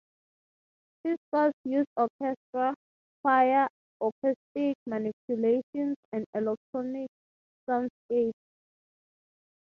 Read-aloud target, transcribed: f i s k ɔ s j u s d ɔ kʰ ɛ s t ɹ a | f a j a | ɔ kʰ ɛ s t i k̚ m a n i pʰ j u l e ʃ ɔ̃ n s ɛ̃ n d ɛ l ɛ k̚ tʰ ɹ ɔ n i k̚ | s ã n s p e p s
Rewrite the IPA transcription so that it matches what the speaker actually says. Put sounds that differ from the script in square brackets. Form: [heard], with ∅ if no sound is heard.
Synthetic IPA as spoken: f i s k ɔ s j u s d ɔ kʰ ɛ s t ɹ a | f a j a | ɔ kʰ ɛ s t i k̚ m a n i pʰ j u l e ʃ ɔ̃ n s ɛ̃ n d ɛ l ɛ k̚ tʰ ɹ ɔ n i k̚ | s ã n s [k] e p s